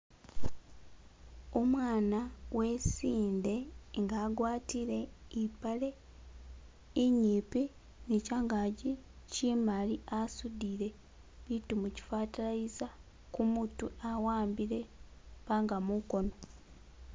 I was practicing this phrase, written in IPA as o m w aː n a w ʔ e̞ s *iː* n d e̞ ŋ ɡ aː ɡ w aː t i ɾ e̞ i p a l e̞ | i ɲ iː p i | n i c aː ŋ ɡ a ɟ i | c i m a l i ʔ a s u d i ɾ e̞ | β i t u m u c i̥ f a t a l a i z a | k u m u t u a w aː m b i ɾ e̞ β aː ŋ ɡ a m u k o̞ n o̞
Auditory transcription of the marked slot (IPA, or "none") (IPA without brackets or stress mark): iː